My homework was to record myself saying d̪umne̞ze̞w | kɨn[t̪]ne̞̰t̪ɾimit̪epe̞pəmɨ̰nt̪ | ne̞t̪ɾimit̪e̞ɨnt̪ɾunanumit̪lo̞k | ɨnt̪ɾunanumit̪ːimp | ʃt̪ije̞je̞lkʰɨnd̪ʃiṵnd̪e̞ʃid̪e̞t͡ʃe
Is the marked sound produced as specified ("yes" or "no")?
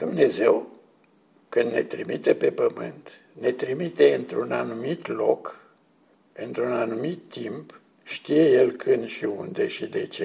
no